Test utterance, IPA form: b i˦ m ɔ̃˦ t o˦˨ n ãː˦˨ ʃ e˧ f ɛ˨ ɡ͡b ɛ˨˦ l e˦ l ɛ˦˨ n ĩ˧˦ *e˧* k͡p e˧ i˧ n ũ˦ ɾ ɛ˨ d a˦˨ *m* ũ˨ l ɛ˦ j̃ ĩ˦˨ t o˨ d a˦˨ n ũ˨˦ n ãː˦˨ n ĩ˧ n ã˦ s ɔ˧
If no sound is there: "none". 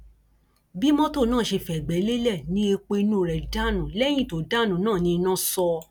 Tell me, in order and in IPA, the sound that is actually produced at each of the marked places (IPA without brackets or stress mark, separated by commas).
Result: e˧, n